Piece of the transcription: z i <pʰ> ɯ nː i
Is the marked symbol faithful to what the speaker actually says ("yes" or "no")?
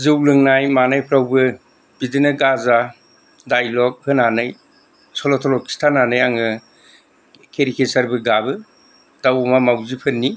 yes